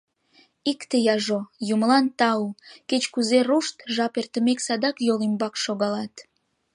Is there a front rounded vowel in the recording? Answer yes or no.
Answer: no